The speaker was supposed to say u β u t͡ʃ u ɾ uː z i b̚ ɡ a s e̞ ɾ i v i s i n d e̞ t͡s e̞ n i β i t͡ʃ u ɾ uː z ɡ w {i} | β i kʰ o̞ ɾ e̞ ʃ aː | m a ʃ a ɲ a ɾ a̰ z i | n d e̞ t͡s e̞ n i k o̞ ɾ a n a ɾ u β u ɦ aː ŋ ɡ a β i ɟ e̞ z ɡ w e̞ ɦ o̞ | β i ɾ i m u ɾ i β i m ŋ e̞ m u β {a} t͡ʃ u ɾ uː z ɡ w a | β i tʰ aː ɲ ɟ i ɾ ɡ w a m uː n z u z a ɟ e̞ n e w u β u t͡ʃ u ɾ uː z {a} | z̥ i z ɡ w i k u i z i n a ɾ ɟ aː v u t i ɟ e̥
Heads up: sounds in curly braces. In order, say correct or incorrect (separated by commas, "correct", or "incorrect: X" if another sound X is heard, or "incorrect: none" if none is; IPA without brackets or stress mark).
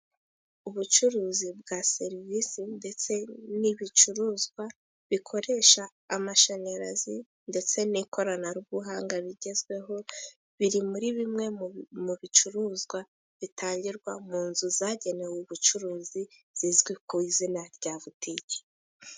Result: incorrect: a, incorrect: i, incorrect: i